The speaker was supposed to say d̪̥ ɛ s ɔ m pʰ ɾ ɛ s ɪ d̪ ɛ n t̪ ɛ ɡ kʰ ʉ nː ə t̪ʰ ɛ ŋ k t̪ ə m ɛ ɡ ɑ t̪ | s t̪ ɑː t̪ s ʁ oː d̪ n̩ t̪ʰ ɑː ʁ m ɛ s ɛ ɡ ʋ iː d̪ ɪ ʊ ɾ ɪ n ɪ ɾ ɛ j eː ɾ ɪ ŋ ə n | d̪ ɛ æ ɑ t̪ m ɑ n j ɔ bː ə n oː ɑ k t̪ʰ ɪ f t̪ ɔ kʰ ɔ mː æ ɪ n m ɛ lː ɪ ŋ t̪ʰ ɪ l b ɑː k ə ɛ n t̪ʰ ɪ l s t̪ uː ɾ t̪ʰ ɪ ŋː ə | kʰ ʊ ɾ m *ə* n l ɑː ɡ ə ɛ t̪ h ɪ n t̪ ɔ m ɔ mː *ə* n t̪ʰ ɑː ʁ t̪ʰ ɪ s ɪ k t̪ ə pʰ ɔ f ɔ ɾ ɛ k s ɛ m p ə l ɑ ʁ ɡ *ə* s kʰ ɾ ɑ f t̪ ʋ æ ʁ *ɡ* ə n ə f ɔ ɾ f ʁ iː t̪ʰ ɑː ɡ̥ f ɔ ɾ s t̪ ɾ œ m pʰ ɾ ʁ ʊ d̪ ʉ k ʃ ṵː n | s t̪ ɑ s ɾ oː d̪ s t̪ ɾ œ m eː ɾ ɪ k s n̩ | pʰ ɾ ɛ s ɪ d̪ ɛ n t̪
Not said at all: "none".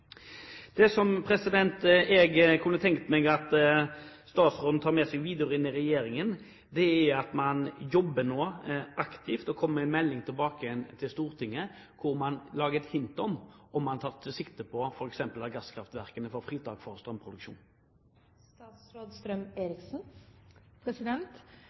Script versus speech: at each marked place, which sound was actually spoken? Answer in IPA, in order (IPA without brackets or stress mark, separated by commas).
ɑ, ɑ, ɑ, k